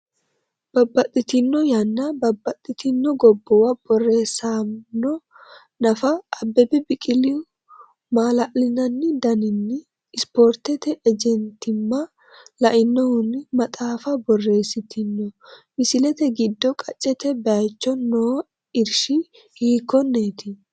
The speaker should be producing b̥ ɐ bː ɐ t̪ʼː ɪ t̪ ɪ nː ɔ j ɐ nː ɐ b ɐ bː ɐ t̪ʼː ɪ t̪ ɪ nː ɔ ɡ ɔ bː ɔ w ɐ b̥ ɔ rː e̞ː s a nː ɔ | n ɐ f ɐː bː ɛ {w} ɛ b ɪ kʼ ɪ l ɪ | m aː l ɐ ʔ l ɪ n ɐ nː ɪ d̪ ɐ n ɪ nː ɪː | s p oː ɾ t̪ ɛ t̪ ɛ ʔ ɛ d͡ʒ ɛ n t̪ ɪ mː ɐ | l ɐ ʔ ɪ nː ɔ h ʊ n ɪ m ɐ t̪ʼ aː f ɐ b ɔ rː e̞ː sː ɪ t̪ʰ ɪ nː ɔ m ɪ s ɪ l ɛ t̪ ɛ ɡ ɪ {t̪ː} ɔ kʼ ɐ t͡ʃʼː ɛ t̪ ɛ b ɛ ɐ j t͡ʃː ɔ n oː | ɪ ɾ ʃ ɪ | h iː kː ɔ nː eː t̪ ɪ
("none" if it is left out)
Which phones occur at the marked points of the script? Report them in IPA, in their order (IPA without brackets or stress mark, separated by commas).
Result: b, d̪ː